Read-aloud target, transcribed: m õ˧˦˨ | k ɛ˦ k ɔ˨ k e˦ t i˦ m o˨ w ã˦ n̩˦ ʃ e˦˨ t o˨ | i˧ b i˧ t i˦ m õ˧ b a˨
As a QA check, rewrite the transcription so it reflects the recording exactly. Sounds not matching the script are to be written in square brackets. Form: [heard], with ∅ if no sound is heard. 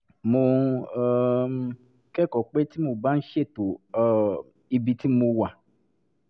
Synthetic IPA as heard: m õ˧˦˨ | k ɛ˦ k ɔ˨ [k͡p] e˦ t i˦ m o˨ [b] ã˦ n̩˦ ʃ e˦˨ t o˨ | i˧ b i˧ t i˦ m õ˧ [w] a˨